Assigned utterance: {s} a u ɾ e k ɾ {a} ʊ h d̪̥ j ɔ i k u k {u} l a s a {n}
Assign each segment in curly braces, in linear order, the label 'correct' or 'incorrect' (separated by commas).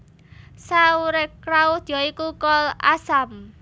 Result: correct, correct, incorrect, incorrect